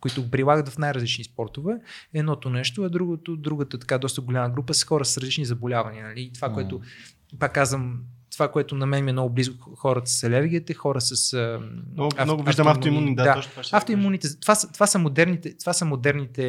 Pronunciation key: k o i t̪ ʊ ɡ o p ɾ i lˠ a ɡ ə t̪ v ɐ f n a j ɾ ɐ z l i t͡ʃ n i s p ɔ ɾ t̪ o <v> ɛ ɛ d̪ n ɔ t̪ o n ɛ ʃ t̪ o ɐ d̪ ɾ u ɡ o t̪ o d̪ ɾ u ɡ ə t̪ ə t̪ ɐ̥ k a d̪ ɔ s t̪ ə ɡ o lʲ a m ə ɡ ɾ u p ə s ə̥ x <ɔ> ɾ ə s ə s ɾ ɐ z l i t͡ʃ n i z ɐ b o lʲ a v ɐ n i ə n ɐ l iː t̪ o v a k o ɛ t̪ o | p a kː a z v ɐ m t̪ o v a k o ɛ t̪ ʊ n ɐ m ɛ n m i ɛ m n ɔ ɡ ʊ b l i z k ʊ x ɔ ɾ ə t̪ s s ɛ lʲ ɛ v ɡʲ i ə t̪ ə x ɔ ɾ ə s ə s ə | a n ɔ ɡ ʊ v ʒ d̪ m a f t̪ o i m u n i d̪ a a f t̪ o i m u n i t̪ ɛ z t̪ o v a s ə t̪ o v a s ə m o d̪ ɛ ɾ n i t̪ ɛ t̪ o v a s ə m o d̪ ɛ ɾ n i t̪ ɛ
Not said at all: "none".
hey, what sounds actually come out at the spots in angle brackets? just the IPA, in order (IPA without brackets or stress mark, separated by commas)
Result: v, ɔ